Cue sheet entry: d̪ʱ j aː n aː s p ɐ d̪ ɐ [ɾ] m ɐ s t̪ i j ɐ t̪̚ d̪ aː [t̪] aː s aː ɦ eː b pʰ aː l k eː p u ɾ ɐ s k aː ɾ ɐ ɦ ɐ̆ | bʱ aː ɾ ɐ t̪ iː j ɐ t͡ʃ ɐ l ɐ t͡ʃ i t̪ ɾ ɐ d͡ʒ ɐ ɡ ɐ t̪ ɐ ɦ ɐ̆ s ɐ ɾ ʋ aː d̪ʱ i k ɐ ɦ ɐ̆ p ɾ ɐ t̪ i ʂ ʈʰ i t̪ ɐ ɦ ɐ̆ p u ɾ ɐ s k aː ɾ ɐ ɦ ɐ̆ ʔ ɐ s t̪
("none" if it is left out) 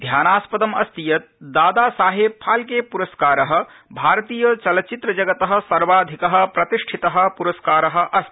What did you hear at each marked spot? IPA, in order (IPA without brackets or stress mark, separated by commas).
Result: none, d̪